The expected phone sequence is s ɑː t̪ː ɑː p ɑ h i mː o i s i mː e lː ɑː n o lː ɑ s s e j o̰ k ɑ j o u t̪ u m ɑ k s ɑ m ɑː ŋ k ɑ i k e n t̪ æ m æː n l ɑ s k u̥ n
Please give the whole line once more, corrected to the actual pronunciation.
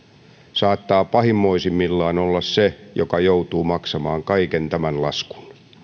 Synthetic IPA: s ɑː t̪ː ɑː p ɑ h i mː o i s i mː i lː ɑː n o lː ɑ s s e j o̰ k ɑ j o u t̪ uː m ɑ k s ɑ m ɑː ŋ k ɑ i k e n t̪ æ m æ n l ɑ s k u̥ n